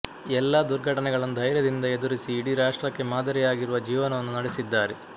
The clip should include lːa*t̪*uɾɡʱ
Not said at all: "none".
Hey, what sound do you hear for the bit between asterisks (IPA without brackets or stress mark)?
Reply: d̪